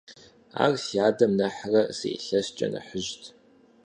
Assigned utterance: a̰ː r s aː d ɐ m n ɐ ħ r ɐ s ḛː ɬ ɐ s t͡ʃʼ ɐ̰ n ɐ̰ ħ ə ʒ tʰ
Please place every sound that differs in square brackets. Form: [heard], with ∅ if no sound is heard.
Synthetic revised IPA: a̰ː r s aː d ɐ m n ɐ ħ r ɐ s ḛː ɬ ɐ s t͡ʃʼ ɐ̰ n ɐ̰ ħ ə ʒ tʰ